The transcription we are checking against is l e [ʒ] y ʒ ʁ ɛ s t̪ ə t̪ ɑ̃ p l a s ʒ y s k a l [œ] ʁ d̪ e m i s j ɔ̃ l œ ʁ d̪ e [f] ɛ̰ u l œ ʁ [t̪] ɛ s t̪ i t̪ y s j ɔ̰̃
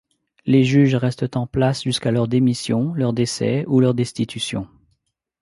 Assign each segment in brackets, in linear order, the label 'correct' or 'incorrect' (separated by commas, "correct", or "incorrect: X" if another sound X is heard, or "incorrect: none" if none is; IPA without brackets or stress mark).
correct, correct, incorrect: s, incorrect: d̪